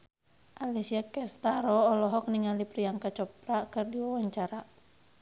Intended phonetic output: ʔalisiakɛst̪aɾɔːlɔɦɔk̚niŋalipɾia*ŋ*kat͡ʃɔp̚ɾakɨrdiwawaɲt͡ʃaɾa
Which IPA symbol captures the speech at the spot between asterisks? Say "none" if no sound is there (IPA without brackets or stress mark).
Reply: ŋ